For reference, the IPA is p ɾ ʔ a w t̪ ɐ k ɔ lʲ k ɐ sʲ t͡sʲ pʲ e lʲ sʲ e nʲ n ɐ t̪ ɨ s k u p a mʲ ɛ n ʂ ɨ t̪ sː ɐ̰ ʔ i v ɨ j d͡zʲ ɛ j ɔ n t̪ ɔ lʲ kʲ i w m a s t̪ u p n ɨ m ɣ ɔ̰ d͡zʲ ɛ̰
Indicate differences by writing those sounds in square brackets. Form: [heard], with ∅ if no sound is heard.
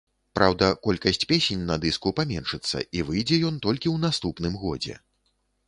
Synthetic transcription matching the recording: p ɾ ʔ a w [d̪] ɐ k ɔ lʲ k ɐ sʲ t͡sʲ pʲ e [∅] sʲ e nʲ n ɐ [d̪] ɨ s k u p a mʲ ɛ n ʂ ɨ t̪ sː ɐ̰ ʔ i v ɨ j d͡zʲ ɛ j ɔ n t̪ ɔ lʲ kʲ i w [n] a s t̪ u p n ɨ m ɣ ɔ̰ d͡zʲ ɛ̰